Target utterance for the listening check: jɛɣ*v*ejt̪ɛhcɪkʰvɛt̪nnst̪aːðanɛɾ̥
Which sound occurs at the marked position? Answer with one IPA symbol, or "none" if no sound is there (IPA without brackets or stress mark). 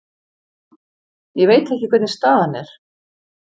v